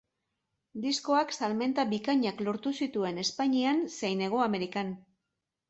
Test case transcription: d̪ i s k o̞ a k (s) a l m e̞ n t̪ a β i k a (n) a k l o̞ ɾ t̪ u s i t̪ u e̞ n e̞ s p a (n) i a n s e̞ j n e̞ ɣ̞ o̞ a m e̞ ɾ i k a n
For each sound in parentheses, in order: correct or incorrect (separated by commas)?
correct, incorrect, incorrect